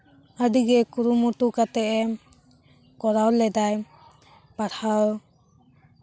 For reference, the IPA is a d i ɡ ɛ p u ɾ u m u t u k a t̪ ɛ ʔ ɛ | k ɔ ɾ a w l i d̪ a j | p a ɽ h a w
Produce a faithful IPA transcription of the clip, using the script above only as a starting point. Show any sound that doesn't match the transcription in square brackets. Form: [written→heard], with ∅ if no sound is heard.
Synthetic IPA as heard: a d i ɡ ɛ [p→k] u ɾ u m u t u k a t̪ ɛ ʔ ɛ | k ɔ ɾ a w l [i→ɛ] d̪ a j | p a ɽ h a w